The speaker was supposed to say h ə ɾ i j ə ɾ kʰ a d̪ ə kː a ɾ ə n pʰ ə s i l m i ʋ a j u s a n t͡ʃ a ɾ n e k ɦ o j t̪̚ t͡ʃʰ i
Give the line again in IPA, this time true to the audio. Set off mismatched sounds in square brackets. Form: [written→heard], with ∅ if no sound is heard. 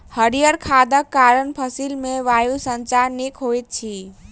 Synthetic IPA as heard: h ə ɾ i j ə ɾ kʰ a d̪ ə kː a ɾ ə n pʰ ə s i l m [i→e] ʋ a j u s [a→ə] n t͡ʃ a ɾ n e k ɦ o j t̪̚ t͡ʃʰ i